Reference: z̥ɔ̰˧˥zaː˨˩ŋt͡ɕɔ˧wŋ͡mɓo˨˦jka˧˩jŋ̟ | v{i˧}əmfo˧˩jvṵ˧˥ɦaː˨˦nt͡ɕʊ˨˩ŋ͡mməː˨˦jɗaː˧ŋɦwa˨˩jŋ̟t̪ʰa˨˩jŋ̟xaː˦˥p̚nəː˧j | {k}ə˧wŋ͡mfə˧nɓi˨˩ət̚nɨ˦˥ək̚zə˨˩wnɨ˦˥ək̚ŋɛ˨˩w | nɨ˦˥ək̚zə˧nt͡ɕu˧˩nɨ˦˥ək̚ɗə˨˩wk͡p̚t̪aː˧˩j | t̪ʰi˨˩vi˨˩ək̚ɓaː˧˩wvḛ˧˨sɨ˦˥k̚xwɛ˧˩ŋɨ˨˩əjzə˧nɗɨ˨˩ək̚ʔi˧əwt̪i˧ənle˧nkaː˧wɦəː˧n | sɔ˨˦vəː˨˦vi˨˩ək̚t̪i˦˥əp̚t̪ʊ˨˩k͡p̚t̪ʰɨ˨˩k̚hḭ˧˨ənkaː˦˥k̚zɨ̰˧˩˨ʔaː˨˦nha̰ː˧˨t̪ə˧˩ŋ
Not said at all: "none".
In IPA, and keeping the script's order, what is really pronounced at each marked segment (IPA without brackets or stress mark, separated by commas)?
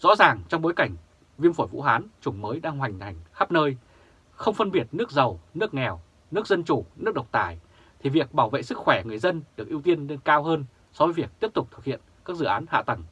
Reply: i˧, x